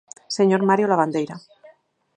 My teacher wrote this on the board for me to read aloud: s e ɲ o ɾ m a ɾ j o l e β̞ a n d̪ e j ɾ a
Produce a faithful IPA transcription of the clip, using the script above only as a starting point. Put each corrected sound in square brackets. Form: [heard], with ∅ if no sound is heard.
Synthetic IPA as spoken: s e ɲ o ɾ m a ɾ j o l [a] β̞ a n d̪ e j ɾ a